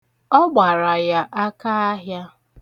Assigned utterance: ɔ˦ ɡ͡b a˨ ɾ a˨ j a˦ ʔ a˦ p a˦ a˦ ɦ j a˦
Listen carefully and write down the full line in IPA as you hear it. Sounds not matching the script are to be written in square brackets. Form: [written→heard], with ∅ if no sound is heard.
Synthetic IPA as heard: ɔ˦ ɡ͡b a˨ ɾ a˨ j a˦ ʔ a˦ [p→k] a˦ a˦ ɦ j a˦